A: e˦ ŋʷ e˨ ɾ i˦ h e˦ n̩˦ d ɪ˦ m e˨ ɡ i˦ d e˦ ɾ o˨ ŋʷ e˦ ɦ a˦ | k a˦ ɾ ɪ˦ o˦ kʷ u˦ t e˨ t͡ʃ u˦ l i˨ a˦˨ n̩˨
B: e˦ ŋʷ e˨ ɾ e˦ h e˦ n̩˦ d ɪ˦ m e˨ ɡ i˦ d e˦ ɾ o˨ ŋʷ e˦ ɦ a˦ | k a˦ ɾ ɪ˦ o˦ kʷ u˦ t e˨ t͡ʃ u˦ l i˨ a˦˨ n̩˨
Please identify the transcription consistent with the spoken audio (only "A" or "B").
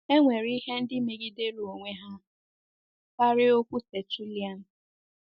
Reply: A